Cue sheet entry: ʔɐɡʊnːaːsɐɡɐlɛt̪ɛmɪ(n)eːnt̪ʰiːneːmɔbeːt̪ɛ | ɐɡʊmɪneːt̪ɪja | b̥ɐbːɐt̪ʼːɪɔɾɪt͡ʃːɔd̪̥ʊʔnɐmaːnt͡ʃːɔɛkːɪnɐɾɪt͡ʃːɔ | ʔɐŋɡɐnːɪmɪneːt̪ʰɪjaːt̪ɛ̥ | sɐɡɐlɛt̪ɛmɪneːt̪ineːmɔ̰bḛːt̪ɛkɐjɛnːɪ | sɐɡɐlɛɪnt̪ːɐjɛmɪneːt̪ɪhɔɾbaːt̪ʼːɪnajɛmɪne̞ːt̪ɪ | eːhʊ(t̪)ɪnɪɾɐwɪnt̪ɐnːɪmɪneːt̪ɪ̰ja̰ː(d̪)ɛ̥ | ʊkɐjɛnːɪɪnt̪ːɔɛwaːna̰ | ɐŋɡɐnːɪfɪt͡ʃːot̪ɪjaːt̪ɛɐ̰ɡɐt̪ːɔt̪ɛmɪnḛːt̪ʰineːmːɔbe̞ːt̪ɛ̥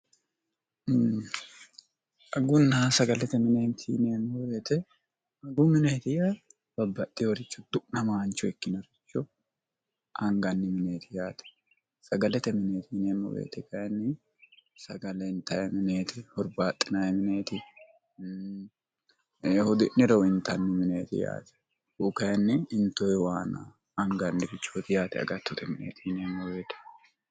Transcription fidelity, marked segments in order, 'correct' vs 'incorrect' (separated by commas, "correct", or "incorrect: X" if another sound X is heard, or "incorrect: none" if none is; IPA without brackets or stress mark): correct, incorrect: d̪, incorrect: t̪